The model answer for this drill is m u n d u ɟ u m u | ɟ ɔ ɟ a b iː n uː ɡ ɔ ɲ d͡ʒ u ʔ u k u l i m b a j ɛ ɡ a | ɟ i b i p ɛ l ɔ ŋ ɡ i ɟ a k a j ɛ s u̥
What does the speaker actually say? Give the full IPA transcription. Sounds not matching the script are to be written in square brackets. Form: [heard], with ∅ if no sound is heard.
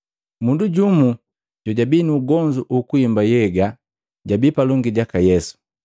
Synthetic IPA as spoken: m u n d u ɟ u m u | ɟ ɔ ɟ a b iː n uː ɡ ɔ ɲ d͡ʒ u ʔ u k u [∅] i m b a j ɛ ɡ a | ɟ [a] b i p [a] l ɔ ŋ ɡ i ɟ a k a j ɛ s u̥